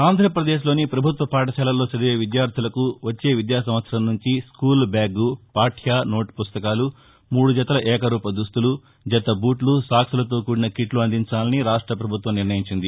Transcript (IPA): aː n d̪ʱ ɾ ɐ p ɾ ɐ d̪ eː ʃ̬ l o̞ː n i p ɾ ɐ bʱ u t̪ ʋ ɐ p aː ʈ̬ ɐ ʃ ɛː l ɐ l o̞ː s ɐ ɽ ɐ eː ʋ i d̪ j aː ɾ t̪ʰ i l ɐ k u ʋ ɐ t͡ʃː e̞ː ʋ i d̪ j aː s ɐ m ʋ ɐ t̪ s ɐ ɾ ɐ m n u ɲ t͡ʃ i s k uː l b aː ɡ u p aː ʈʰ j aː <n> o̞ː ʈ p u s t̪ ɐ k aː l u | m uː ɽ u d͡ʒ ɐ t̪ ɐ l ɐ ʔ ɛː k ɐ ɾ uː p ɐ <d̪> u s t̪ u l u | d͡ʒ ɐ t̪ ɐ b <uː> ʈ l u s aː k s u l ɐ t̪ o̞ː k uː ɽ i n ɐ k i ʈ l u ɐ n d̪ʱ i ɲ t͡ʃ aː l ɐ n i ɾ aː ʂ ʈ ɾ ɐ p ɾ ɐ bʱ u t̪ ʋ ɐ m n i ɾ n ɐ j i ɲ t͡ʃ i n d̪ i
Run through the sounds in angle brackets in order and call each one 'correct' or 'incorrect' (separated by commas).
correct, correct, correct